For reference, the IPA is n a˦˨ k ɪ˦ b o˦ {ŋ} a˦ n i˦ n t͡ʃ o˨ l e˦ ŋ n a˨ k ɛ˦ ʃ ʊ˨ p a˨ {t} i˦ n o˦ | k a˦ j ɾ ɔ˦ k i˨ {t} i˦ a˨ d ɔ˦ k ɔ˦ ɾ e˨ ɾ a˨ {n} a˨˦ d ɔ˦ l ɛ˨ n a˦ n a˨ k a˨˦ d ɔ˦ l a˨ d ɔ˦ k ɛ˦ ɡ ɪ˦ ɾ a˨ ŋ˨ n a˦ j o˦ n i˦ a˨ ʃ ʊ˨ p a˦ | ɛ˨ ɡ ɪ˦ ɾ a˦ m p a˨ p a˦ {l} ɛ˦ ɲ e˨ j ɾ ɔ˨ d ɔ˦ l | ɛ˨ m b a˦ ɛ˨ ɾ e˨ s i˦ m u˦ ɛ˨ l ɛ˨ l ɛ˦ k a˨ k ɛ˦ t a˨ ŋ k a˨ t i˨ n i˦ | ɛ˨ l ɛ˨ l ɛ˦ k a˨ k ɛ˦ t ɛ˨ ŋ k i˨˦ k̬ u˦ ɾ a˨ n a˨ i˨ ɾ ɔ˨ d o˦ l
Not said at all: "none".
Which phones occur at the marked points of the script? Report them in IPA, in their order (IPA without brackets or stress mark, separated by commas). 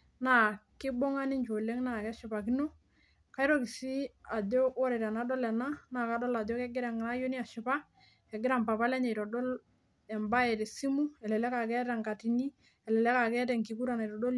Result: ŋ, k, s, n, l